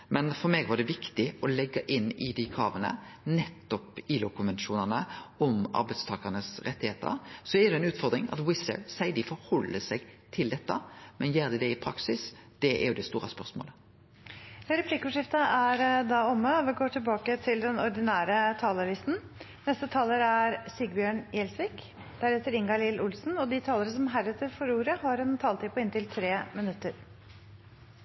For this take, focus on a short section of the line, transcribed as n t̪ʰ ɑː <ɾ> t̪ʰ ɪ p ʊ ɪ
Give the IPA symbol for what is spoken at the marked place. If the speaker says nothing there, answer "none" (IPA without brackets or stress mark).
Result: l